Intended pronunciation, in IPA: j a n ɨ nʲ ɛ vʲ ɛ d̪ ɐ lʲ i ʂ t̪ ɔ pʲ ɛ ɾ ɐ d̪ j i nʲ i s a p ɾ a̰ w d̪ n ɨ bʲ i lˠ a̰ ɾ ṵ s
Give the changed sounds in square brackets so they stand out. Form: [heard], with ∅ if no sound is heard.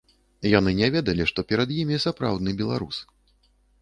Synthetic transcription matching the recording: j a n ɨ nʲ ɛ vʲ ɛ d̪ ɐ lʲ i ʂ t̪ ɔ pʲ ɛ ɾ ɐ d̪ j i [mʲ] i s a p ɾ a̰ w d̪ n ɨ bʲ [ɛ] lˠ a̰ ɾ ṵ s